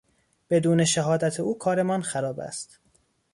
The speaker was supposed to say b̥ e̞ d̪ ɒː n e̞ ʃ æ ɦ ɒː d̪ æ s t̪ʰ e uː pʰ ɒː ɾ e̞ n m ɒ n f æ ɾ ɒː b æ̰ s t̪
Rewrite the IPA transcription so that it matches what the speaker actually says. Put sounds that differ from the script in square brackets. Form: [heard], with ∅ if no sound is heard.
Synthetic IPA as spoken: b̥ e̞ d̪ [uː] n e̞ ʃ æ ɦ ɒː d̪ æ [∅] t̪ʰ e uː [kʰ] ɒː ɾ e̞ [∅] m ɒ n [x] æ ɾ ɒː b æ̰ s t̪